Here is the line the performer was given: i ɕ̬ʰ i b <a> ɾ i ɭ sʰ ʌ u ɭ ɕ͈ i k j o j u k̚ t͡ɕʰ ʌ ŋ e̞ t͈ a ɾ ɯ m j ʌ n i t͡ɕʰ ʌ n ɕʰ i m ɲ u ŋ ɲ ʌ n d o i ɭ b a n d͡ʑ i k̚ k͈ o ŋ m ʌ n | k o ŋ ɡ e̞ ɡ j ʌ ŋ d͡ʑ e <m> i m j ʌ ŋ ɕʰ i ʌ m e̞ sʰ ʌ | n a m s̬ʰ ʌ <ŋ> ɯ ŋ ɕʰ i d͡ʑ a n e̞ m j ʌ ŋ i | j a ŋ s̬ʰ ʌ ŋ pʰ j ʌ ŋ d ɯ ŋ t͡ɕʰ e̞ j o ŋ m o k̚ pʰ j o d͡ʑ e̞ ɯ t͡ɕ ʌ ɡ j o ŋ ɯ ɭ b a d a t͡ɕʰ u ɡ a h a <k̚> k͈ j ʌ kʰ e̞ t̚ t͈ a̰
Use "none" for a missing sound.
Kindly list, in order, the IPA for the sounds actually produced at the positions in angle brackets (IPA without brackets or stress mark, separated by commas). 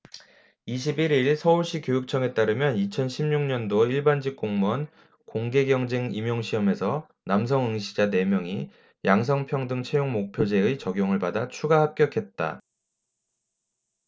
i, ŋ, ŋ, p̚